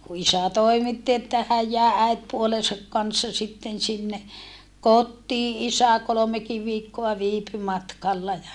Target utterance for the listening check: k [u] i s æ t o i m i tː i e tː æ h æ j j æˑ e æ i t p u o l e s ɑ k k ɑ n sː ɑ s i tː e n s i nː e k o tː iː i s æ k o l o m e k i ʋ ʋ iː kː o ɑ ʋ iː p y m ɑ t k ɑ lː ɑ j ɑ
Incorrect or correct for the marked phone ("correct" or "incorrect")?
correct